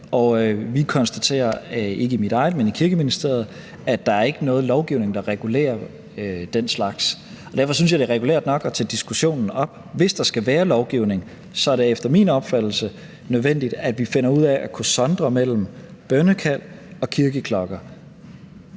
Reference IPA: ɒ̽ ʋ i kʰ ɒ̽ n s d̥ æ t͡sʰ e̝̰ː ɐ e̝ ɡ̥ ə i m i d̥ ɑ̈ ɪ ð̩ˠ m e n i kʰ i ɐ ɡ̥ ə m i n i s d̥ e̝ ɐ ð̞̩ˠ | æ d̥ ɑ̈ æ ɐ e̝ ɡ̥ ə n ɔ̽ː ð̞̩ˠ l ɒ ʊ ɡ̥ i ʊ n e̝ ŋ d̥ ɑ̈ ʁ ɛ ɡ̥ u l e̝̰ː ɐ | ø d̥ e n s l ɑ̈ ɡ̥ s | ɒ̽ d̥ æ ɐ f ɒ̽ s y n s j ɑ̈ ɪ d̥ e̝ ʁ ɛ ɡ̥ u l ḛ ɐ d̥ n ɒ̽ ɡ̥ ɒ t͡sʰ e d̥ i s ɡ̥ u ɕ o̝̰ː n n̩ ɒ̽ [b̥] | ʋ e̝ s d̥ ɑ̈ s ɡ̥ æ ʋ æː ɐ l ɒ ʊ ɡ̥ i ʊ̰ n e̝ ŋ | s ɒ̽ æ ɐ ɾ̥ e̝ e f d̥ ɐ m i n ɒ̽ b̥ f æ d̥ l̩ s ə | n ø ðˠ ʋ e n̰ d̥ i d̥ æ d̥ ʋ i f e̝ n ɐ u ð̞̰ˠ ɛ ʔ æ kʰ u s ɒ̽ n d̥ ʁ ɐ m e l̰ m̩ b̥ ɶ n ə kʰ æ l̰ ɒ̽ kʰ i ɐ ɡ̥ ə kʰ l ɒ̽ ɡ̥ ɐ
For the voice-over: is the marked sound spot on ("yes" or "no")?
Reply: yes